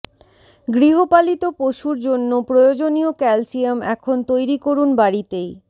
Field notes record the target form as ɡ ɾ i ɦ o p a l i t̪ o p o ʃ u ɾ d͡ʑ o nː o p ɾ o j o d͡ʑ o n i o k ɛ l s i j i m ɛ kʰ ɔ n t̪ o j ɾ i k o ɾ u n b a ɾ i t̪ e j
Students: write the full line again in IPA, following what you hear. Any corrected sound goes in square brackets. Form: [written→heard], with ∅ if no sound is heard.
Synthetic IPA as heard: ɡ ɾ i ɦ o p a l i t̪ o p o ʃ u ɾ d͡ʑ o nː o p ɾ o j o d͡ʑ o n i o k ɛ l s i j [i→a] m ɛ kʰ [ɔ→o] n t̪ o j ɾ i k o ɾ u n b a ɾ i t̪ e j